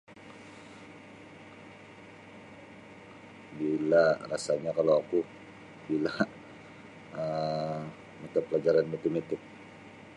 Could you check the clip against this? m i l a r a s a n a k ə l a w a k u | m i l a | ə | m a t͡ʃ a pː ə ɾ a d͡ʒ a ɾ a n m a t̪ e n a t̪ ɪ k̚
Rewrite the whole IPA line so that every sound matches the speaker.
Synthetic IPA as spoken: b i l a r a s a ɲ a k a l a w a k u | b i l a | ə | m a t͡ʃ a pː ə l a d͡ʒ a ɾ a n m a t̪ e m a t̪ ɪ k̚